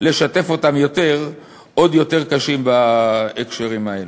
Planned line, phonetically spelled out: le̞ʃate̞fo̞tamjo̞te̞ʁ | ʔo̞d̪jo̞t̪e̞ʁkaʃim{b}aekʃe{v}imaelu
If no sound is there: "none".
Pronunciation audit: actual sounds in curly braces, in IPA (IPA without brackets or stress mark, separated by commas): b, ʁ